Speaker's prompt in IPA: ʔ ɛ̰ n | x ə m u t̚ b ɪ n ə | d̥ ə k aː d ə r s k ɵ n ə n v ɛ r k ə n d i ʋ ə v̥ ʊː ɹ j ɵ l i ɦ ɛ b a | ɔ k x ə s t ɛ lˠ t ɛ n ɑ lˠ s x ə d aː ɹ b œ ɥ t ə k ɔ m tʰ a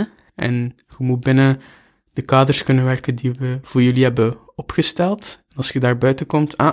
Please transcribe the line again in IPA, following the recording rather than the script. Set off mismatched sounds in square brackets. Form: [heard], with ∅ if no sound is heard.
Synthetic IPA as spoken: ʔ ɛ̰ n | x ə m u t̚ b ɪ n ə | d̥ ə k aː d ə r s k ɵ n ə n [ʋ] ɛ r k ə n d i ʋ ə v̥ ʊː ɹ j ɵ l i ɦ ɛ b [ə] | ɔ [p] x ə s t ɛ lˠ t ɛ n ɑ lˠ s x ə d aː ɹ b œ ɥ t ə k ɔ m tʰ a